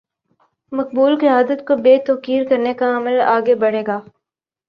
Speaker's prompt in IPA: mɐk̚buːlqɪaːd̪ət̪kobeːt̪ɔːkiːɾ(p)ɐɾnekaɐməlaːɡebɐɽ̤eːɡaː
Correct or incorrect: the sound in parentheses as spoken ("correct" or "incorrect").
incorrect